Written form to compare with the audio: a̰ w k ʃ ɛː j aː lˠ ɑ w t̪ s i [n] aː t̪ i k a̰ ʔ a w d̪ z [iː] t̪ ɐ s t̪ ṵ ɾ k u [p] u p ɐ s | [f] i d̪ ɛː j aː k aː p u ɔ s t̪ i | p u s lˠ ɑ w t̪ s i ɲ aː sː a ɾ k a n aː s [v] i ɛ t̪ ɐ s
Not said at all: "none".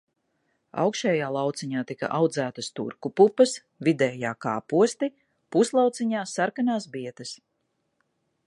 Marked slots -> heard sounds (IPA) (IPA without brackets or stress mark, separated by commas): ɲ, æː, p, v, b